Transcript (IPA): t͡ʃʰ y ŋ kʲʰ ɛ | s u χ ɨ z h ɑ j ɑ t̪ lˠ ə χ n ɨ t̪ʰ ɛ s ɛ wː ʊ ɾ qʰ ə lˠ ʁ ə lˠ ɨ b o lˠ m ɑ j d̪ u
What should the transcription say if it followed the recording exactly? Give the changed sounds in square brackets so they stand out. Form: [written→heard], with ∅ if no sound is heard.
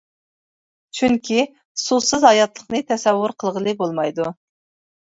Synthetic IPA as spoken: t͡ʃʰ y ŋ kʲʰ [ɛ→i] | s u [χ→s] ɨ z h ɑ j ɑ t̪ lˠ ə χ n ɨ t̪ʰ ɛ s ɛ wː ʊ ɾ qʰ ə lˠ ʁ ə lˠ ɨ b o lˠ m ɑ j d̪ u